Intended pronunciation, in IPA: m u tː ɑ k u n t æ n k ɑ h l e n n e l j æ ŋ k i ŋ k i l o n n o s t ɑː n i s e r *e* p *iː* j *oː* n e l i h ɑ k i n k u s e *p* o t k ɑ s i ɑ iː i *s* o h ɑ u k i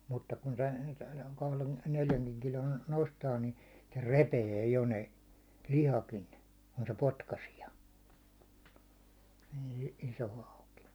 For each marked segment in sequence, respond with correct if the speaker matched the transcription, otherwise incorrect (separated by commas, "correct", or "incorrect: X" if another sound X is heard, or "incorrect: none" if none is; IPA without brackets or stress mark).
correct, incorrect: eː, incorrect: o, correct, correct